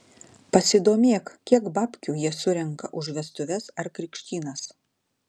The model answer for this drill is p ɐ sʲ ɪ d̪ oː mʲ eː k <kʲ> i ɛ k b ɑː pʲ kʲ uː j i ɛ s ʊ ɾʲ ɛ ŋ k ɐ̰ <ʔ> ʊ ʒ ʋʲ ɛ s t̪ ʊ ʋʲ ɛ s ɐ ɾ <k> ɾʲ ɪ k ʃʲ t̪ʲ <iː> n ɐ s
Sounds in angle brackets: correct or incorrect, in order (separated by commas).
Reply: correct, correct, correct, correct